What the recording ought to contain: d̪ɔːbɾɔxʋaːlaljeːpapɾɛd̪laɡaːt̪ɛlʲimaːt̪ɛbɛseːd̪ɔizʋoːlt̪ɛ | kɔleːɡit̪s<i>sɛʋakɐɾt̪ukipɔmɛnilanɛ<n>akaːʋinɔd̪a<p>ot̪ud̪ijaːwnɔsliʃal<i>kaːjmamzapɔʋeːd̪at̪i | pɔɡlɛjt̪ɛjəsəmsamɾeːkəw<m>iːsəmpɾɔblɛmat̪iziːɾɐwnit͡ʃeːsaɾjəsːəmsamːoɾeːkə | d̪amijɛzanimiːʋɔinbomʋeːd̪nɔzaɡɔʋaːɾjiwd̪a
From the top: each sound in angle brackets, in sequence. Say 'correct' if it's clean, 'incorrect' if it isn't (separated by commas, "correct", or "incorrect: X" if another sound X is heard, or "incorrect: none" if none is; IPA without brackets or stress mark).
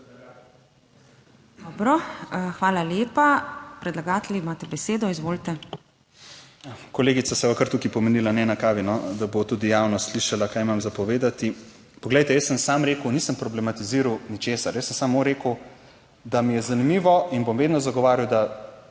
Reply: incorrect: a, correct, incorrect: b, incorrect: a, incorrect: n